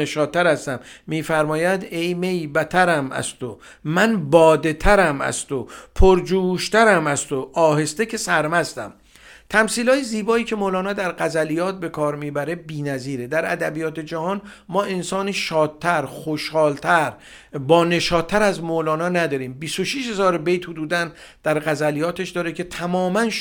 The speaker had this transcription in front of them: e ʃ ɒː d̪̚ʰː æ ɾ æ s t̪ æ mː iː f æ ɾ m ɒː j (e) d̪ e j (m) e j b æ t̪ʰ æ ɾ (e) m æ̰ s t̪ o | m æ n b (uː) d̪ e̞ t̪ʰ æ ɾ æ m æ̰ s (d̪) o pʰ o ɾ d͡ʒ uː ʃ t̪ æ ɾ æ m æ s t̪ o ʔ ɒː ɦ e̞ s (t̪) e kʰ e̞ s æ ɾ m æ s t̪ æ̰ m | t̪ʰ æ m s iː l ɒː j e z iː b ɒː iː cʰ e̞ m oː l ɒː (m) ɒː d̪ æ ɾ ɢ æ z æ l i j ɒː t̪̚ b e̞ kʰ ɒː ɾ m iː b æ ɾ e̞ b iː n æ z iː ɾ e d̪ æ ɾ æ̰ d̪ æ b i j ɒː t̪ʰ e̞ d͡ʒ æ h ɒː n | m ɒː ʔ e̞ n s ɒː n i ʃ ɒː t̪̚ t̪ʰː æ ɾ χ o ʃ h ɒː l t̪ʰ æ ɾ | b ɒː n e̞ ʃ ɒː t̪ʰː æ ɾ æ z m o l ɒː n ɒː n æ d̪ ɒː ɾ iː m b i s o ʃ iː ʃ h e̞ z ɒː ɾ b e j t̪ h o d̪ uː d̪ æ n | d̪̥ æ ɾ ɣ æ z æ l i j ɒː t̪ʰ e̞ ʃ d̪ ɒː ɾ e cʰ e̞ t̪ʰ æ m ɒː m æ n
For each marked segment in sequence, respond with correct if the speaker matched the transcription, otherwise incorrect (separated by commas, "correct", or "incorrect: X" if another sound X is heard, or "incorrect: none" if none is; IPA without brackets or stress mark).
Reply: incorrect: æ, correct, incorrect: æ, incorrect: ɒː, incorrect: t̪, correct, incorrect: n